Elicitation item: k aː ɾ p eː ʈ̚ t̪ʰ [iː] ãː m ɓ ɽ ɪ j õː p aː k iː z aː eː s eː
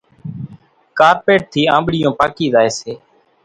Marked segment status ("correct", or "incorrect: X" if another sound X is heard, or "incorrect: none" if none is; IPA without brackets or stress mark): correct